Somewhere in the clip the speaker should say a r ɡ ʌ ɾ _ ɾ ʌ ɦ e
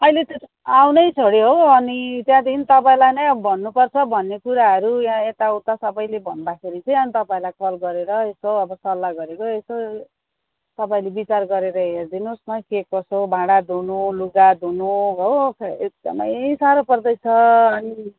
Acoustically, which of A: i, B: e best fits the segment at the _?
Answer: B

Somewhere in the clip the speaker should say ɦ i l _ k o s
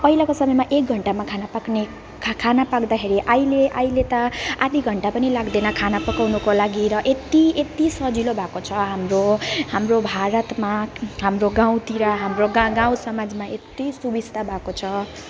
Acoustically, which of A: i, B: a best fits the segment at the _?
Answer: B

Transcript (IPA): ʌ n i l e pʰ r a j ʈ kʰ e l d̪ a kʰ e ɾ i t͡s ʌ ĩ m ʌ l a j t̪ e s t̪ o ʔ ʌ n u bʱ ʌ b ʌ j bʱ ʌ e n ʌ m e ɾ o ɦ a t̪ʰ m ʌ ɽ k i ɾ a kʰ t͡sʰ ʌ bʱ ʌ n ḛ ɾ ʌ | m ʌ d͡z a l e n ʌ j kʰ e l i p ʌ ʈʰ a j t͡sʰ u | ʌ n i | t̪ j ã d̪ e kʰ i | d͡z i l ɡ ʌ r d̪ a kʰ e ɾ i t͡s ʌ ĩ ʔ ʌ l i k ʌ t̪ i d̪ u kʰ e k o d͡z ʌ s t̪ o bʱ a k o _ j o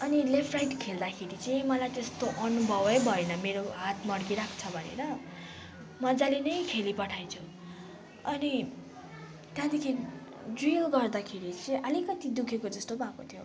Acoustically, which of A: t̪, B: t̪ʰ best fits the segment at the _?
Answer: B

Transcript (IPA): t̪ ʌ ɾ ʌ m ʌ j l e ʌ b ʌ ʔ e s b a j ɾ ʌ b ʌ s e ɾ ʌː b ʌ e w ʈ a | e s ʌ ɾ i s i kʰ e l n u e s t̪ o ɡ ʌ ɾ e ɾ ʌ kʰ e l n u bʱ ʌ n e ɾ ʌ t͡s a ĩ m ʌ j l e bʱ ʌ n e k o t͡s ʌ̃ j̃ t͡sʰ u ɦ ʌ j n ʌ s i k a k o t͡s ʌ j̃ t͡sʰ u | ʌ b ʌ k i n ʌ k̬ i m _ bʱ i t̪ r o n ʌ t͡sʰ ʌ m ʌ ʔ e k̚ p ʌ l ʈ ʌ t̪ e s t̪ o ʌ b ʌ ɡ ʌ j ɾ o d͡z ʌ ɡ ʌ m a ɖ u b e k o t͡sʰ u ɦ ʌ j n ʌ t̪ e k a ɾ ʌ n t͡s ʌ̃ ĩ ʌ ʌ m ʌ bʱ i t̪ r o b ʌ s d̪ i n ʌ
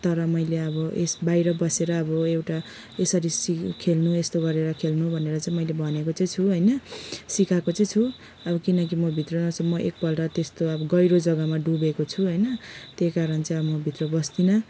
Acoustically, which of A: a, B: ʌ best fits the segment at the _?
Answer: B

